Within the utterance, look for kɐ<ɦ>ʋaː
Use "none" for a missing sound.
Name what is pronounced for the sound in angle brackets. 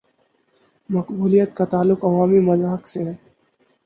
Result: none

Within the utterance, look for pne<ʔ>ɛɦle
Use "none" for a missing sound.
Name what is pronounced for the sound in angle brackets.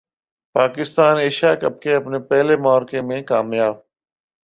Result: p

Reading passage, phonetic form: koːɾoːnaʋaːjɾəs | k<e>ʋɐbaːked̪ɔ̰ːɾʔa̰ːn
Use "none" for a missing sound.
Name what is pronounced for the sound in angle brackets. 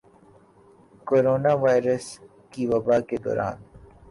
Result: i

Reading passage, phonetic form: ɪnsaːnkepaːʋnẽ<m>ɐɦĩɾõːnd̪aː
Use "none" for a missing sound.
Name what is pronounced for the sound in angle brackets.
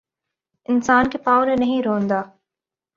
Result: n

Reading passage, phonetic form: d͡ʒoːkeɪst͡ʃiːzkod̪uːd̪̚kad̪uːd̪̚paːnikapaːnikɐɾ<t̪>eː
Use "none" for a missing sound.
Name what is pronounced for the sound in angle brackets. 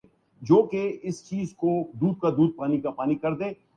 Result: d̪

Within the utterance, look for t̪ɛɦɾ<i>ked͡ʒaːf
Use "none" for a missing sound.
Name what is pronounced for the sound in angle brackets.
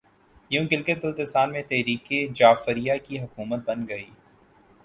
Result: iː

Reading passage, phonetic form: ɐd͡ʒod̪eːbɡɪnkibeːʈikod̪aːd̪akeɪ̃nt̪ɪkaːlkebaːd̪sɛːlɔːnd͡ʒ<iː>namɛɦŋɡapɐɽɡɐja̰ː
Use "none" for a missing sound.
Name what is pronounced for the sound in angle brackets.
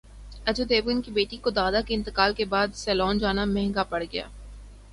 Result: aː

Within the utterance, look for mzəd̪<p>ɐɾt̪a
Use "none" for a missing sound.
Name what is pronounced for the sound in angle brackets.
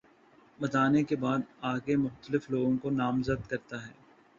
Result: k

